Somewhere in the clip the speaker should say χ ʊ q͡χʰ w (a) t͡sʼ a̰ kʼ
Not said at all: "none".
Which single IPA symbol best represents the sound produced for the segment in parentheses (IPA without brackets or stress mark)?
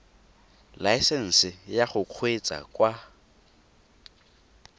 e